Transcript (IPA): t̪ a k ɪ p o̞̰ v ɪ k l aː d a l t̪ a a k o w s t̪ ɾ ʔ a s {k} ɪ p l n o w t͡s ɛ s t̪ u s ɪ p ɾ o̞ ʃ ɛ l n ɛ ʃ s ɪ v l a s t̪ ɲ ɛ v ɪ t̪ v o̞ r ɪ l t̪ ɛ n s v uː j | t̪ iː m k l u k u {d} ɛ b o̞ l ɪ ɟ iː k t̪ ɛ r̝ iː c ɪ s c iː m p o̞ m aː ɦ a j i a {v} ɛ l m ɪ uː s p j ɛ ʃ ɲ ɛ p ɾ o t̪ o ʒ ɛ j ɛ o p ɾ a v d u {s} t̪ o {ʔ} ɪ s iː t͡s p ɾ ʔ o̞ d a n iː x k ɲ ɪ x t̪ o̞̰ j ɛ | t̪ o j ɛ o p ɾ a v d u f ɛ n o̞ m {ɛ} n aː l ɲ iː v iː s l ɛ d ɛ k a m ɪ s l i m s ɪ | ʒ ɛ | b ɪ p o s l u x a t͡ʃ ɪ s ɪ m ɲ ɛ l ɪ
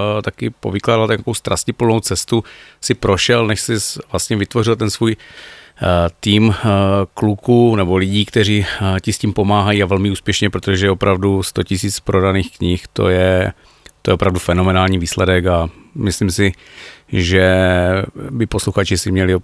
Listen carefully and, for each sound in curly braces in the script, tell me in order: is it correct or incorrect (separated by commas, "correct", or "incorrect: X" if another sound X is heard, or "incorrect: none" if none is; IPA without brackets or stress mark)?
incorrect: c, incorrect: n, correct, correct, incorrect: c, correct